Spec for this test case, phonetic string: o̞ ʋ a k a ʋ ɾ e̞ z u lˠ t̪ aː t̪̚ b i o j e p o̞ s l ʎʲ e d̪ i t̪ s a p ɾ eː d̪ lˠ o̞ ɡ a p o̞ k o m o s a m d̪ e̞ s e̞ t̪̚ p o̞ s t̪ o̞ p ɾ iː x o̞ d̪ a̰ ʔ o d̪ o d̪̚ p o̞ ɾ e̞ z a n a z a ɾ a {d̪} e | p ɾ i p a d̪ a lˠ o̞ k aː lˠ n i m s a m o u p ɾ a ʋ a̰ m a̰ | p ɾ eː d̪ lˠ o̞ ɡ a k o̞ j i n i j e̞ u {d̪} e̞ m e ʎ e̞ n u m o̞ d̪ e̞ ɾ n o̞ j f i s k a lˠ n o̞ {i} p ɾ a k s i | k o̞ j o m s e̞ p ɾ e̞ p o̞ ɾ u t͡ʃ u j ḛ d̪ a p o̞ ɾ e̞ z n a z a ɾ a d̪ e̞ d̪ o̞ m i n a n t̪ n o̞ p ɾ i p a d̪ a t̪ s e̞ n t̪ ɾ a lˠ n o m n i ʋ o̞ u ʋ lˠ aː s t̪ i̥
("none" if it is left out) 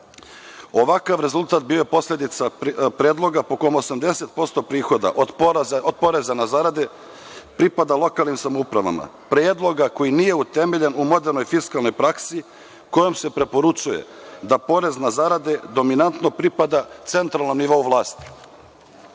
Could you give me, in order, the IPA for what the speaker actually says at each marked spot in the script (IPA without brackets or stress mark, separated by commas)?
d̪, t̪, j